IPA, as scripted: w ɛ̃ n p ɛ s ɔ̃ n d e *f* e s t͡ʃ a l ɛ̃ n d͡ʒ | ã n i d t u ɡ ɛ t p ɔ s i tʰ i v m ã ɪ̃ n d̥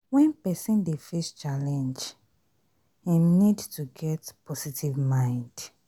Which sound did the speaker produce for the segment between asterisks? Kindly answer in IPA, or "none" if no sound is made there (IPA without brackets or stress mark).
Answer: f